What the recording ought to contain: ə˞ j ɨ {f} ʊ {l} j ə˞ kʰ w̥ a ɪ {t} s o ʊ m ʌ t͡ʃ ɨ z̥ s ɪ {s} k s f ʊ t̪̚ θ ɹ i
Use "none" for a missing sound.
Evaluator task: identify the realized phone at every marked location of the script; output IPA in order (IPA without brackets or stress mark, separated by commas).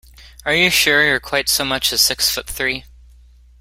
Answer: ʃ, ɹ, t, none